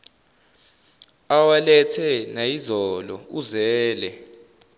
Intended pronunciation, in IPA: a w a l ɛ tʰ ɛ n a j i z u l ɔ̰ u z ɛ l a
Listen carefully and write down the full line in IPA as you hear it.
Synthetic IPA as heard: a w a l ɛ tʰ ɛ n a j i z ɔ l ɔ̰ u z ɛː l ɛ